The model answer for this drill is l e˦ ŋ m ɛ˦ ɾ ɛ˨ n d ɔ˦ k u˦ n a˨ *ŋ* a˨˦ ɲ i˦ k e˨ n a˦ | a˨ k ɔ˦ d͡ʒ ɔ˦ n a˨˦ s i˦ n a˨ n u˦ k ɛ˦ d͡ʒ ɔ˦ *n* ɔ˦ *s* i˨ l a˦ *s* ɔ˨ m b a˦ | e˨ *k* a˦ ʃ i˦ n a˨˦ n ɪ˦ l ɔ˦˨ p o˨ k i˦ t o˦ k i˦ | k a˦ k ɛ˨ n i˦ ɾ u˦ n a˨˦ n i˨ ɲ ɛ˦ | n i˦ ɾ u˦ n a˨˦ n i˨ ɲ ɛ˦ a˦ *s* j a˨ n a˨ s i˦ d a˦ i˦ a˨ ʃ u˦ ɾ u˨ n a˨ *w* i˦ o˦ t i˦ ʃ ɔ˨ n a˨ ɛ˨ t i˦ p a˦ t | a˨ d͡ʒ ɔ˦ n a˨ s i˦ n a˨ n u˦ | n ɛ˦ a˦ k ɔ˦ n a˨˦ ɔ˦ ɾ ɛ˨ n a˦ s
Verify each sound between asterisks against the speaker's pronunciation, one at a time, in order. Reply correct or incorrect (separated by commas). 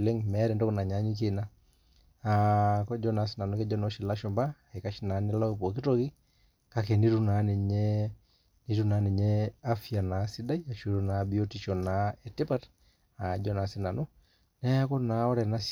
incorrect, correct, incorrect, incorrect, correct, incorrect, incorrect